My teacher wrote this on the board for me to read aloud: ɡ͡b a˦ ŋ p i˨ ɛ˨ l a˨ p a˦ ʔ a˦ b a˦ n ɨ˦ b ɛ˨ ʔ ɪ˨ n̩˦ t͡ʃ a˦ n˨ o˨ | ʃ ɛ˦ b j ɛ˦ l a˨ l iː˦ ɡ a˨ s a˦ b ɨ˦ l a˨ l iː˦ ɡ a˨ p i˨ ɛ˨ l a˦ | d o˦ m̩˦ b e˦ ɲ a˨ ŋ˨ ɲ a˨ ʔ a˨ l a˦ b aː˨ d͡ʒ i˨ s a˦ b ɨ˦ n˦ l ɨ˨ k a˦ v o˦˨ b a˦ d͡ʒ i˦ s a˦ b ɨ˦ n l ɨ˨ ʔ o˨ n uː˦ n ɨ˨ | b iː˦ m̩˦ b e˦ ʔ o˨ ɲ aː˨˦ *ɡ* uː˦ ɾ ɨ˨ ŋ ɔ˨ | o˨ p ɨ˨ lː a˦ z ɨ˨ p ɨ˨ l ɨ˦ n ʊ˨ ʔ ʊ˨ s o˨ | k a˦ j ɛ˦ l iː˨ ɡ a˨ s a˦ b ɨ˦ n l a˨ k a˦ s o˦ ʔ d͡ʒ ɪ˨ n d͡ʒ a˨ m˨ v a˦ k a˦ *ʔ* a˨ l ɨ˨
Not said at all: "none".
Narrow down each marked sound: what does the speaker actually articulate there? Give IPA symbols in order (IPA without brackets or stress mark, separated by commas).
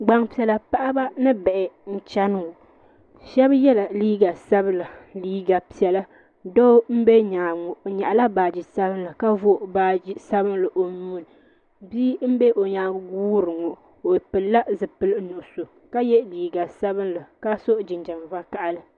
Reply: ɡ, ʔ